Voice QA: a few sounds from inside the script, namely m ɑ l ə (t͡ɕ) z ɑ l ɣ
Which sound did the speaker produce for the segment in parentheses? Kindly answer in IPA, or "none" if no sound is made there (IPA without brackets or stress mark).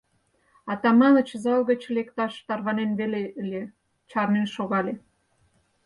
t͡ɕ